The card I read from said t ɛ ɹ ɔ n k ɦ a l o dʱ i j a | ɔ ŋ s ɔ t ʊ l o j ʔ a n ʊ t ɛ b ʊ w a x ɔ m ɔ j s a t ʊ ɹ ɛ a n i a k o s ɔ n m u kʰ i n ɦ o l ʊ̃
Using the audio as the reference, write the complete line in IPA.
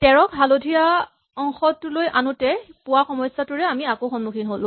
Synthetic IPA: t ɛ ɹ ɔ k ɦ a l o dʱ i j a | ɔ ŋ x ɔ t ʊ l o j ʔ a n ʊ t ɛ p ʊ w a x ɔ m ɔ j s a t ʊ ɹ ɛ a m i a k o x ɔ n m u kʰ i n ɦ o l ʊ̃